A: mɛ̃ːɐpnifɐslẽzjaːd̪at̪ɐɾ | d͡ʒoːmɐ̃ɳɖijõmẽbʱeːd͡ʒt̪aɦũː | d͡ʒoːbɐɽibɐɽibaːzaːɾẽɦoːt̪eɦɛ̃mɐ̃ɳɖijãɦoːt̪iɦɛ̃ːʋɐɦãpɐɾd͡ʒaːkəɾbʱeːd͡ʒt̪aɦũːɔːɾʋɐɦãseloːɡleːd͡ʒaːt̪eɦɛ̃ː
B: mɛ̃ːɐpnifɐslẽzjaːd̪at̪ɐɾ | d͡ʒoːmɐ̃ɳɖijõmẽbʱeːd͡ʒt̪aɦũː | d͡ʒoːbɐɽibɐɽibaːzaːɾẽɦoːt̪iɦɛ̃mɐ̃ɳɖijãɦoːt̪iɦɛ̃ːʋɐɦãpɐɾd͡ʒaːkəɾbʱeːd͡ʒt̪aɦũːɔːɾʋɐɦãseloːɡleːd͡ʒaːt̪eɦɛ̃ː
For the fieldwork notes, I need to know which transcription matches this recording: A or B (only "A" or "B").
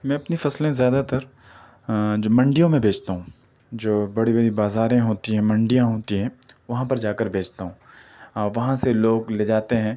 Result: B